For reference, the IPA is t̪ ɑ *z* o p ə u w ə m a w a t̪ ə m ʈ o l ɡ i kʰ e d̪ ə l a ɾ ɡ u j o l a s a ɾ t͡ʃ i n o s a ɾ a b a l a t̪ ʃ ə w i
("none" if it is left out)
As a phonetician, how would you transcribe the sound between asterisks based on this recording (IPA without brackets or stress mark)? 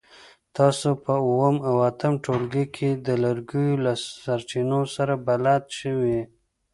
s